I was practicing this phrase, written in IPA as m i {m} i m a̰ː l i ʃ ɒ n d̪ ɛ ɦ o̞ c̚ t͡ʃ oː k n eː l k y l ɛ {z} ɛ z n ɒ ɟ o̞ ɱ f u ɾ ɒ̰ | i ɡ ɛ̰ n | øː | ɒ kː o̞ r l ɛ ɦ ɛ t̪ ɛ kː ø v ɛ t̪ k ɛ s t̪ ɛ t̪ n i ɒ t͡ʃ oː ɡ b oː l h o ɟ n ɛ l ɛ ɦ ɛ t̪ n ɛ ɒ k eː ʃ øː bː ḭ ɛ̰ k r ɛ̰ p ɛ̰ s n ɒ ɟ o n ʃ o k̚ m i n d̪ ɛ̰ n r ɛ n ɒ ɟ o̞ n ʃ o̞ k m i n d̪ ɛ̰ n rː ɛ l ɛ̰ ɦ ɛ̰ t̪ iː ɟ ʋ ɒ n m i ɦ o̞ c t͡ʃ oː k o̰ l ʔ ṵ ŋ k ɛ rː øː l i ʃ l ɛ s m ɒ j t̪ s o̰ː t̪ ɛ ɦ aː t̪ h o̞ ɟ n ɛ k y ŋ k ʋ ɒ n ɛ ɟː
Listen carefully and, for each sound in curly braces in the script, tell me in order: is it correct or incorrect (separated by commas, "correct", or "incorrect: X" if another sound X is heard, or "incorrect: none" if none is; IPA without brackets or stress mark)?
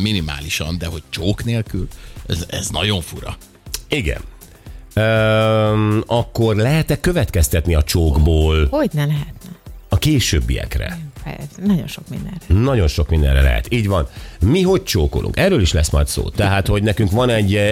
incorrect: n, correct